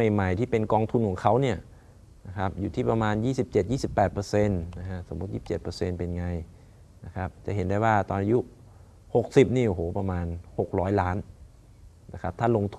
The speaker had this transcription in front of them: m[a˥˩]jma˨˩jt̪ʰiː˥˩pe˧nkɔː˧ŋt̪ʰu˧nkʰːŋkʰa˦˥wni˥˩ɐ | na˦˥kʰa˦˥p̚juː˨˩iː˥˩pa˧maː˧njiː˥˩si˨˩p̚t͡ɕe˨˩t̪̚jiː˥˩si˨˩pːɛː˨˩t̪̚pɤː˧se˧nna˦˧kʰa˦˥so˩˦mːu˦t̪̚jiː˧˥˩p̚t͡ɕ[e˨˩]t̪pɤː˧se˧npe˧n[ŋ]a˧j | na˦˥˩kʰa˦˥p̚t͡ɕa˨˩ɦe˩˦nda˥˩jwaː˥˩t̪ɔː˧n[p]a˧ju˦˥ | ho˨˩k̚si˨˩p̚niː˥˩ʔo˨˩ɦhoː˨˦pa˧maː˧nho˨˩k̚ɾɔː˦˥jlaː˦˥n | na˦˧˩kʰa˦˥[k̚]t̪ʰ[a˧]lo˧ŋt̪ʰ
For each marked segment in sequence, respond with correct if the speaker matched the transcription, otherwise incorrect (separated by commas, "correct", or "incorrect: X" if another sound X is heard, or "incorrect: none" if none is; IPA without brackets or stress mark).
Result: incorrect: a˨˩, correct, correct, incorrect: ʔ, incorrect: p̚, incorrect: a˥˩